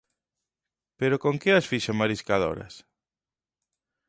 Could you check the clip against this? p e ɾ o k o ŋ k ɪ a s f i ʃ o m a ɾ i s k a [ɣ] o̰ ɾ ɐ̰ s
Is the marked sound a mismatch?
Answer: yes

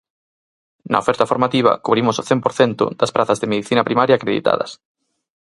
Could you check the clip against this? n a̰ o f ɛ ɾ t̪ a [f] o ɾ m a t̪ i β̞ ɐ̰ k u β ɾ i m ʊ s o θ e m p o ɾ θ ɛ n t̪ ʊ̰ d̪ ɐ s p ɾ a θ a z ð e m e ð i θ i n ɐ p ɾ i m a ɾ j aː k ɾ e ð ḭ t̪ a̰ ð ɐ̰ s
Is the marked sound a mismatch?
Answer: no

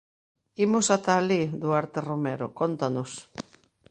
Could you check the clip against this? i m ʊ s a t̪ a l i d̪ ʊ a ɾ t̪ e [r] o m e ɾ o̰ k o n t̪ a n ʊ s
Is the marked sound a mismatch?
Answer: no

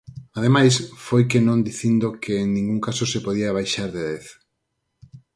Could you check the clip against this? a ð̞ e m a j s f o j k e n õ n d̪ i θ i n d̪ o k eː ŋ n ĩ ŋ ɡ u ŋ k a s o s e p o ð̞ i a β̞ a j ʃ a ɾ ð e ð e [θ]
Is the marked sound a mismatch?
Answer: no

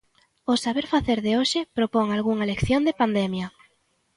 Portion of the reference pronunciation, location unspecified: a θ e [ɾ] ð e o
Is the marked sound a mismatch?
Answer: no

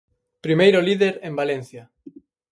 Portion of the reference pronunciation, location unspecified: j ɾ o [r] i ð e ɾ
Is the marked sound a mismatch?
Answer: yes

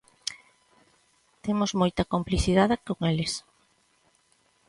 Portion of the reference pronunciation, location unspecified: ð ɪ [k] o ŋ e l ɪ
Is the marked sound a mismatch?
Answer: no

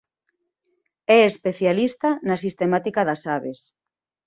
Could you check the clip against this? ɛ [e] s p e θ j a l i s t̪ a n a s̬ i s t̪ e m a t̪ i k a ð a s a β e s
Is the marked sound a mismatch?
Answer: no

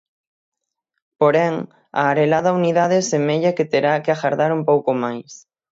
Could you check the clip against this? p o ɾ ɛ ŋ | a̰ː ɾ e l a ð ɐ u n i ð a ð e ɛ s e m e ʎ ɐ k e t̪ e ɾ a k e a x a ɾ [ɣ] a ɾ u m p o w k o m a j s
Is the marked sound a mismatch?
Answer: yes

